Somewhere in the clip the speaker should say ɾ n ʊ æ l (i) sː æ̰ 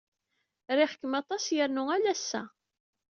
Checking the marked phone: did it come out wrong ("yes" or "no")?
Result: yes